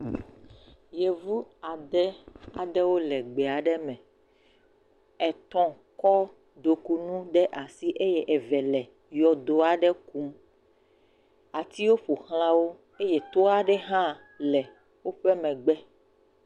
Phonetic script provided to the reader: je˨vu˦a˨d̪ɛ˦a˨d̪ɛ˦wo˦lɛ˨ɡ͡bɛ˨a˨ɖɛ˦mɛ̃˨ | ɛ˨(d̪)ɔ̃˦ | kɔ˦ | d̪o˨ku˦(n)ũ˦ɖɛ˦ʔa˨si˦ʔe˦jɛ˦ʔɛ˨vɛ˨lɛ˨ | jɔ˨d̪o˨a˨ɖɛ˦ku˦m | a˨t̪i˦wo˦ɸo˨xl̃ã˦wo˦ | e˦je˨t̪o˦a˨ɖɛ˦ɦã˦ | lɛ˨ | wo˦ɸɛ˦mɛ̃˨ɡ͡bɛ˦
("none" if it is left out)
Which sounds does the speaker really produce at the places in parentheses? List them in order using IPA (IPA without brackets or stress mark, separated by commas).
t̪, n